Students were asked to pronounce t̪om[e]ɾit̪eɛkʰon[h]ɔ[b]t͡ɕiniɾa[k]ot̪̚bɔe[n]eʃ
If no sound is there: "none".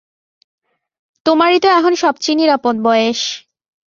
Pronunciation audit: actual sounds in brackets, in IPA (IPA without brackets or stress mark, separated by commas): a, ʃ, b, p, none